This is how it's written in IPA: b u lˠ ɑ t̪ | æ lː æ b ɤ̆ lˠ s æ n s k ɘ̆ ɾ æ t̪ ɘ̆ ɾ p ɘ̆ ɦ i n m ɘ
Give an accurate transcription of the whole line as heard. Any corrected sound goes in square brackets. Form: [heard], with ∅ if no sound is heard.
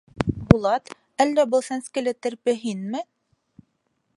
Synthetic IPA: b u lˠ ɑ t̪ | æ lː æ b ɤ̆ lˠ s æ n s k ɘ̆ [l] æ t̪ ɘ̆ ɾ p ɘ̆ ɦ i n m ɘ